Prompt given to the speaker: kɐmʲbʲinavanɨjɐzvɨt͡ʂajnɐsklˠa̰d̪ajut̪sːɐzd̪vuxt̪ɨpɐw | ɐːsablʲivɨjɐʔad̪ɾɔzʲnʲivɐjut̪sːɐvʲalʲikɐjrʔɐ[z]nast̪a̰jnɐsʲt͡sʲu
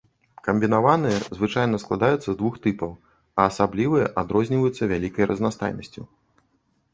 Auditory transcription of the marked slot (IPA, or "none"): z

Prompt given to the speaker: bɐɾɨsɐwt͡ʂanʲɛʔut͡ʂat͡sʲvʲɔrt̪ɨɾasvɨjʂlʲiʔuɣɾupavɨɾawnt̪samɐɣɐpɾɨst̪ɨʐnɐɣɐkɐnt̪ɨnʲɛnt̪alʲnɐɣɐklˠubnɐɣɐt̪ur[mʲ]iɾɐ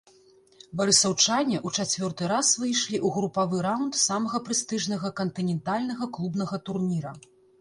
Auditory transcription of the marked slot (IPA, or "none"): nʲ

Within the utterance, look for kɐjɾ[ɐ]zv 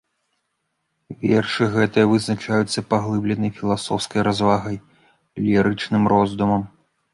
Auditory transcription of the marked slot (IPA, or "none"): a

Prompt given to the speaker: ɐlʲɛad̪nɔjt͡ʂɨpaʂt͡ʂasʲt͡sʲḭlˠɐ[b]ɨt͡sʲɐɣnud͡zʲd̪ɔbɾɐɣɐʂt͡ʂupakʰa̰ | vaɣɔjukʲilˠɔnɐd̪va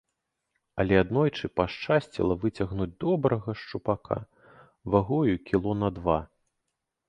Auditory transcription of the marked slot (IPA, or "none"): v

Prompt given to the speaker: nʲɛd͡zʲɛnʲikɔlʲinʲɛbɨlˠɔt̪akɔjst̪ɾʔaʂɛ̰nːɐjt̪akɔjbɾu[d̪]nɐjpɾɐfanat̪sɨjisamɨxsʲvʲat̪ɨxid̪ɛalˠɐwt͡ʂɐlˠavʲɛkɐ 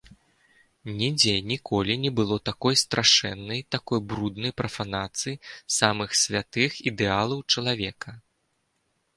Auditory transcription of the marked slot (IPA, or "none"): d̪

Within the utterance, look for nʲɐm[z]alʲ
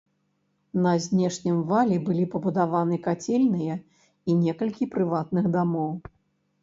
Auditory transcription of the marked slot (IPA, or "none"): v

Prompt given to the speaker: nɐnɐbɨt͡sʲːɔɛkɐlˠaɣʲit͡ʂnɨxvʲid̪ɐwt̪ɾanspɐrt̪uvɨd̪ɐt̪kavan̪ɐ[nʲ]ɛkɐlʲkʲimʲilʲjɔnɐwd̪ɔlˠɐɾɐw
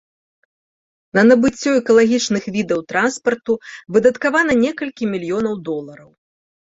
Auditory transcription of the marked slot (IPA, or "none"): nʲ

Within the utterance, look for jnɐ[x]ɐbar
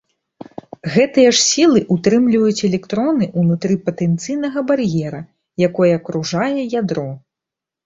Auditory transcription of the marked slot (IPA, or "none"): ɣ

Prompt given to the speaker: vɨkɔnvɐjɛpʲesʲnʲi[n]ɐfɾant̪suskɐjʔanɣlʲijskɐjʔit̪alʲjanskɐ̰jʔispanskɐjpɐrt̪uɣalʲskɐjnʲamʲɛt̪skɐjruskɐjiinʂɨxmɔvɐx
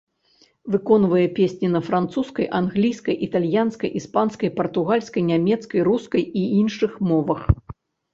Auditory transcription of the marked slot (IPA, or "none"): n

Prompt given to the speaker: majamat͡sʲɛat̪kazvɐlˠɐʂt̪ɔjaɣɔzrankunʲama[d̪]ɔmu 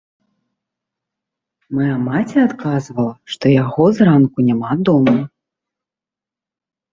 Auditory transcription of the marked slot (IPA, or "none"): d̪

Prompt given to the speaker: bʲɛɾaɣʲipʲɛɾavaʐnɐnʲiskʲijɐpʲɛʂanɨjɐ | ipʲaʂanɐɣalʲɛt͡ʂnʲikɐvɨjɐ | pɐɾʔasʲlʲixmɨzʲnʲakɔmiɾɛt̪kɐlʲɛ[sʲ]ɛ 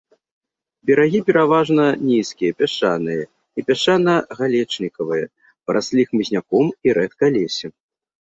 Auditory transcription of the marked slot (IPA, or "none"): sʲ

